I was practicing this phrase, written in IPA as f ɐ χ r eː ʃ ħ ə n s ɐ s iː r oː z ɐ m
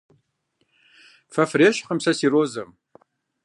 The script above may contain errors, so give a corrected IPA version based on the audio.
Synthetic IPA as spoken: f ɐ f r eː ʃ χ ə m s ɐ s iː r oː z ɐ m